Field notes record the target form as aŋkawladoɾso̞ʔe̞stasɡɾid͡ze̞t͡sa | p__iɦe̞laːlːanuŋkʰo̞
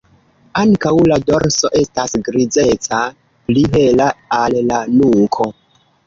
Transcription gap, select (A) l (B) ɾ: A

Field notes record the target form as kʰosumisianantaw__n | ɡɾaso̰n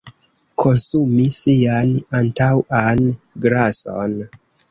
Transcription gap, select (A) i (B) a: B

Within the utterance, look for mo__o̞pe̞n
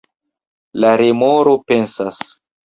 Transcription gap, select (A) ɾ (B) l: A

